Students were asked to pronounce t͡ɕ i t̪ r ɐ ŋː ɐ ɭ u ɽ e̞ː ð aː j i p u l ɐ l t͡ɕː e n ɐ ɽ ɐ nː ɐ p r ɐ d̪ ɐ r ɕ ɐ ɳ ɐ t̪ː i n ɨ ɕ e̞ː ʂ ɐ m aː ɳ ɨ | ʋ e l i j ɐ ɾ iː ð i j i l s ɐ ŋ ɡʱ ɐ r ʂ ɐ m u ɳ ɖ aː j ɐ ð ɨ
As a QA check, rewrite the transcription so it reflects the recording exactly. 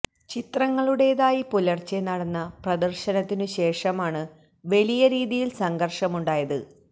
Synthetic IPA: t͡ɕ i t̪ r ɐ ŋː ɐ ɭ u ɽ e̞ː ð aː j i p u l ɐ r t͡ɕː e n ɐ ɽ ɐ nː ɐ p r ɐ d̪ ɐ r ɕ ɐ n ɐ t̪ː i n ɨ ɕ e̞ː ʂ ɐ m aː ɳ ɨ | ʋ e l i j ɐ ɾ iː ð i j i l s ɐ ŋ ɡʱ ɐ r ʂ ɐ m u ɳ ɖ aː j ɐ ð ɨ